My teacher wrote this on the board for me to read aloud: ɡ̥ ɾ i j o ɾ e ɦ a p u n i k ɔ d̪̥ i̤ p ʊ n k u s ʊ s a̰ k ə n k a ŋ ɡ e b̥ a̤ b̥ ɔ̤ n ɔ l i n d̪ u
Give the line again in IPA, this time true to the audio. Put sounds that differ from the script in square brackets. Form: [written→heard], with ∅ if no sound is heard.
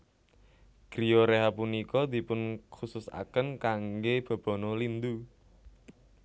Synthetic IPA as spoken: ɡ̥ ɾ i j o ɾ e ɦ a p u n i k ɔ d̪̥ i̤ p ʊ n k u s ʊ s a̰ k ə n k a ŋ ɡ e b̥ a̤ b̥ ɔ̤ n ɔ l i n d̪ u